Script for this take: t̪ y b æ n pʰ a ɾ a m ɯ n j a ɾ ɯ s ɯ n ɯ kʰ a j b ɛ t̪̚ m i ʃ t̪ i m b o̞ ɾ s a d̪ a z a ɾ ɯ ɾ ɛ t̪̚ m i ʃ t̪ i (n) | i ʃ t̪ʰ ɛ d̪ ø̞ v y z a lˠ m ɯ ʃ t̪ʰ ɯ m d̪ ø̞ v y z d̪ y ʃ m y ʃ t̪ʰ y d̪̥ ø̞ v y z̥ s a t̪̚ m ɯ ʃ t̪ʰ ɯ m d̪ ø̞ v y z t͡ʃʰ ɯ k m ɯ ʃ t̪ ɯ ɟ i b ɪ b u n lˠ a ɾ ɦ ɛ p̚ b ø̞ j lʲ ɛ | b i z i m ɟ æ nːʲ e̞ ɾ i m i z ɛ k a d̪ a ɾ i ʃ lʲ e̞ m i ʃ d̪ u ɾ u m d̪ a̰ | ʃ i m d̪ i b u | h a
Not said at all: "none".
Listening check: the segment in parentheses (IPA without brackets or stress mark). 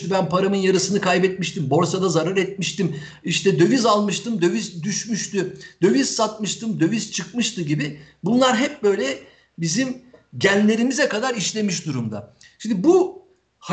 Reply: m